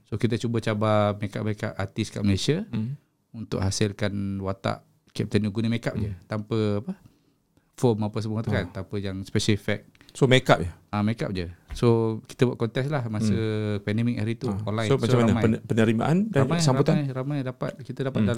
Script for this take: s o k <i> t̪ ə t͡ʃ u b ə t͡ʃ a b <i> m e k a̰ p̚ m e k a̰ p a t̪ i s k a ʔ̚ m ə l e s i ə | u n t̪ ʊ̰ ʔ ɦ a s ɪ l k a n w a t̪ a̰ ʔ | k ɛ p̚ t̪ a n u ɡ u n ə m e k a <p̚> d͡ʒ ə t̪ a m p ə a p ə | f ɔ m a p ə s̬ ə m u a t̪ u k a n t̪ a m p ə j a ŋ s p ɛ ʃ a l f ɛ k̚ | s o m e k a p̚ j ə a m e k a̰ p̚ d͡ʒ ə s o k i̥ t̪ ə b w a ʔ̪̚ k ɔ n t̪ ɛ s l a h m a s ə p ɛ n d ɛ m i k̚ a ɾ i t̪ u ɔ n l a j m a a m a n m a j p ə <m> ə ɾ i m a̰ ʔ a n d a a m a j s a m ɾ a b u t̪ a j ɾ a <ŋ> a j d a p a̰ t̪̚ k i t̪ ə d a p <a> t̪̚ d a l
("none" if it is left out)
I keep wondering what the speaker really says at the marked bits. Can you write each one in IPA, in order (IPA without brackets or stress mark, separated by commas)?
i, a, p̚, n, m, a